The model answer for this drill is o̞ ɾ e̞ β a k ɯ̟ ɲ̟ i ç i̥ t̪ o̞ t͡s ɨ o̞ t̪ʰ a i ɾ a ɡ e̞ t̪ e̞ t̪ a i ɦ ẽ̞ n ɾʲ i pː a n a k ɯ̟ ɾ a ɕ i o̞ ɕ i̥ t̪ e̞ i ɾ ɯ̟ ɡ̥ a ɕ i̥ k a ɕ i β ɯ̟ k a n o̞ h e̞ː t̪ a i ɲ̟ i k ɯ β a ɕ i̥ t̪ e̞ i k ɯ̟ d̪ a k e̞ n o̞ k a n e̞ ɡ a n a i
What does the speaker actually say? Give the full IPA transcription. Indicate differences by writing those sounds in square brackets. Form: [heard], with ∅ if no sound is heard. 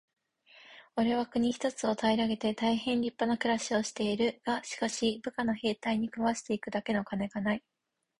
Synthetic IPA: o̞ ɾ e̞ β a k ɯ̟ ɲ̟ i ç i̥ t̪ o̞ t͡s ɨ o̞ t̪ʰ a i ɾ a ɡ e̞ t̪ e̞ t̪ a i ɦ ẽ̞ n ɾʲ i pː a n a k ɯ̟ ɾ a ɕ i o̞ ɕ i̥ t̪ e̞ i ɾ ɯ̟ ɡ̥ a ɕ i̥ k a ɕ i [b] ɯ̟ k a n o̞ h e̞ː t̪ a i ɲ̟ i k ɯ β a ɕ i̥ t̪ e̞ i k ɯ̟ d̪ a k e̞ n o̞ k a n e̞ ɡ a n a i